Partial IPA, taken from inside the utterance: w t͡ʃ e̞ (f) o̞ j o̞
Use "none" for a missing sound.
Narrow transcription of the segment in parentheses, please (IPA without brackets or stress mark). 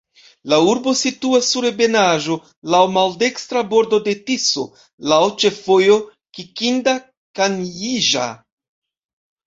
f